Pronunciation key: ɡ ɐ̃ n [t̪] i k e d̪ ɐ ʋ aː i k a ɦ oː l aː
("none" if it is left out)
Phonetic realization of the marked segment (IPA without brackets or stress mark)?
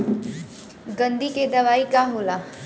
d̪